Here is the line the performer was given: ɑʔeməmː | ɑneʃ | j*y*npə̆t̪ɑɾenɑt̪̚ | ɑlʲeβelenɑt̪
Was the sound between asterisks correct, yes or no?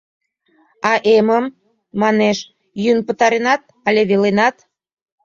yes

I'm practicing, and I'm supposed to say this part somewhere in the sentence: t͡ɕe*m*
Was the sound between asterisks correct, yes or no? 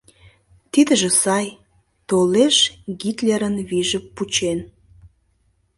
no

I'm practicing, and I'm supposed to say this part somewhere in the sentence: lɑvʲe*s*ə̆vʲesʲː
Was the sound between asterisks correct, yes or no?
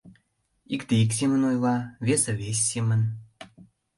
yes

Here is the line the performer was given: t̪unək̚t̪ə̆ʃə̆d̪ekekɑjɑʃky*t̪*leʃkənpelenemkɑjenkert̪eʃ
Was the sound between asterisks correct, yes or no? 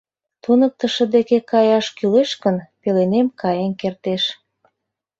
no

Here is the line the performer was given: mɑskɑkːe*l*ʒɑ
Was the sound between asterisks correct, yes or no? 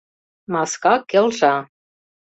yes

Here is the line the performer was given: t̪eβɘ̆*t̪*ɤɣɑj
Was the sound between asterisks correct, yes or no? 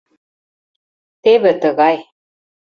yes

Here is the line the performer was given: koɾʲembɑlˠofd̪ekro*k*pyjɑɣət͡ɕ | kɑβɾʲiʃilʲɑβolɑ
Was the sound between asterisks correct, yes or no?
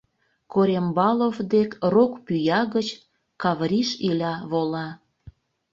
yes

